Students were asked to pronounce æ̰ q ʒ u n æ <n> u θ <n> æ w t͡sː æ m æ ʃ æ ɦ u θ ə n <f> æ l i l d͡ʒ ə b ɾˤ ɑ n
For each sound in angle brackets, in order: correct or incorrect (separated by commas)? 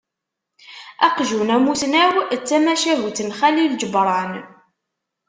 incorrect, correct, incorrect